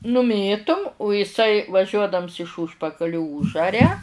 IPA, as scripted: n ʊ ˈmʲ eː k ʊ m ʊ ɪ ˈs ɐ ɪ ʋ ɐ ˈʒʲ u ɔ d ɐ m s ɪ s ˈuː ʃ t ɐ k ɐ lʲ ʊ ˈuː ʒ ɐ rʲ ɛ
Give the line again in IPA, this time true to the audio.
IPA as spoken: n ʊ ˈmʲ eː t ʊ m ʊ ɪ ˈs ɐ ɪ ʋ ɐ ˈʒʲ u ɔ d ɐ m s ɪ ʃ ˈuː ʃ p ɐ k ɐ lʲ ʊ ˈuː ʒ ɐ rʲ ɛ

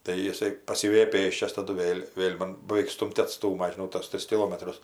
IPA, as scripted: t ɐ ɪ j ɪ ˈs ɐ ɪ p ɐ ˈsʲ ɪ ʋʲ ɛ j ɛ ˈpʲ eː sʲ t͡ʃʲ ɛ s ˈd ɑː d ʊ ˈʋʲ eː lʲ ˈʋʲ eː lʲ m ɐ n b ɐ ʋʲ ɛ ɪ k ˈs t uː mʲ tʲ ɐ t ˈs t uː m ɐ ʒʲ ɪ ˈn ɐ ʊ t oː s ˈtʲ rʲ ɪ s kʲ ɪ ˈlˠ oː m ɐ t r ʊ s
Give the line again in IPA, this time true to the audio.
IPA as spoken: t ɐ ɪ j ɪ ˈs ɐ ɪ p ɐ ˈsʲ ɪ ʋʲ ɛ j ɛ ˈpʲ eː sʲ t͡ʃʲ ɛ s ˈt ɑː d ʊ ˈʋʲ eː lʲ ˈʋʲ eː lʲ m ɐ n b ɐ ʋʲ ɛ ɪ k ˈs t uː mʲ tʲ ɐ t ˈs t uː m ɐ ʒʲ ɪ ˈn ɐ ʊ t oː s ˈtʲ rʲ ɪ s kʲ ɪ ˈlˠ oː m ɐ t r ʊ s

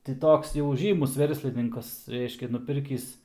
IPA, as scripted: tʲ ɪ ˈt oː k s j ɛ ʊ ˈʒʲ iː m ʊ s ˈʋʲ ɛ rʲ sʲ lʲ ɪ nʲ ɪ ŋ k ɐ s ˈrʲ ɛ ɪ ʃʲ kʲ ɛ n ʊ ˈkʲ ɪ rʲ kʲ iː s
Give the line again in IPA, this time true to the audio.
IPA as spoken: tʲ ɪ ˈt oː k s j ɛ ʊ ˈʒʲ iː m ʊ s ˈʋʲ ɛ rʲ sʲ lʲ ɪ nʲ ɪ ŋ k ɐ s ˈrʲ ɛ ɪ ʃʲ kʲ ɛ n ʊ ˈpʲ ɪ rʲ kʲ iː s

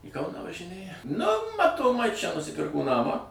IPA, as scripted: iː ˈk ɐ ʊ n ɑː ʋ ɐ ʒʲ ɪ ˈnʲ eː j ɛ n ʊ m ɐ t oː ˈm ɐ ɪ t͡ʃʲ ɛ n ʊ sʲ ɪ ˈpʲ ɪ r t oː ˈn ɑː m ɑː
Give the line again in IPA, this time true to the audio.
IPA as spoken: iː ˈk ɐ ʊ n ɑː ʋ ɐ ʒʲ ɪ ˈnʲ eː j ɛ n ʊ m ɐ t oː ˈm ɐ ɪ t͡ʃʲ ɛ n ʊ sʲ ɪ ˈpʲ ɪ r k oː ˈn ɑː m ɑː

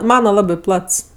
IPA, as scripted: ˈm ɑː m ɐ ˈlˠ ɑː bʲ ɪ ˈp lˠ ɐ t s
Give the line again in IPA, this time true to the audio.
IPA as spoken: ˈm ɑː n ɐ ˈlˠ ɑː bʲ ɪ ˈp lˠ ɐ t s

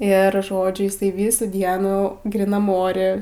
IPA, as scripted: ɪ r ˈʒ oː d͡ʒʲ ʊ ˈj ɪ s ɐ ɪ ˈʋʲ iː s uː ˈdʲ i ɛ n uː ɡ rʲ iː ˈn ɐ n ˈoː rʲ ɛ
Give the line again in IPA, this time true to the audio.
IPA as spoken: ɪ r ˈʒ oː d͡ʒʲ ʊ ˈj ɪ s ɐ ɪ ˈʋʲ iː s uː ˈdʲ i ɛ n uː ɡ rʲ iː ˈn ɐ m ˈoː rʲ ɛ

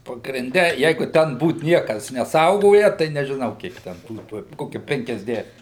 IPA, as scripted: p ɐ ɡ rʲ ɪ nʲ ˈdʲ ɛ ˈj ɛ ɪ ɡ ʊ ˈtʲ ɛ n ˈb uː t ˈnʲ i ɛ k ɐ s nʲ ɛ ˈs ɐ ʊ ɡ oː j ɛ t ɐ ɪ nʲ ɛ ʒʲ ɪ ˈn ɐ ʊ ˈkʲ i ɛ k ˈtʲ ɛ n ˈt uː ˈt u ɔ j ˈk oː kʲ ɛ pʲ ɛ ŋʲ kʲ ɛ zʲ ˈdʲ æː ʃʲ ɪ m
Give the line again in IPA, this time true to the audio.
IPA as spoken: p ɐ ɡ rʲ ɪ nʲ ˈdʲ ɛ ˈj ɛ ɪ ɡ ʊ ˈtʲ ɛ n ˈb uː t ˈnʲ i ɛ k ɐ s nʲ ɛ ˈs ɐ ʊ ɡ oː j ɛ t ɐ ɪ nʲ ɛ ʒʲ ɪ ˈn ɐ ʊ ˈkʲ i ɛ k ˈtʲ ɛ n ˈt uː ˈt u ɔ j ˈk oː kʲ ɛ pʲ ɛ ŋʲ kʲ ɛ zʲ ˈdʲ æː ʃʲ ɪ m

